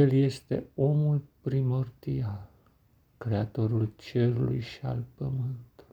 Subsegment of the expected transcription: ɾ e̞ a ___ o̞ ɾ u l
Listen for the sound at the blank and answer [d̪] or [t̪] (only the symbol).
t̪